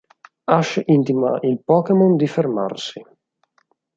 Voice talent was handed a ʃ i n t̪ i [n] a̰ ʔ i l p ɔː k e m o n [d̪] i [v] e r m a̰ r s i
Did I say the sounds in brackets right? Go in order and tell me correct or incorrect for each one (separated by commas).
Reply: incorrect, correct, incorrect